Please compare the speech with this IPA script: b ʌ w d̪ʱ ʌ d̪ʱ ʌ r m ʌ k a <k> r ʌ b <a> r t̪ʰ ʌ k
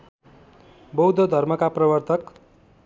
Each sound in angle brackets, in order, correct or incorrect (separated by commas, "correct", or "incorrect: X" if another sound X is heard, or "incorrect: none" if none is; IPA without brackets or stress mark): incorrect: p, incorrect: ʌ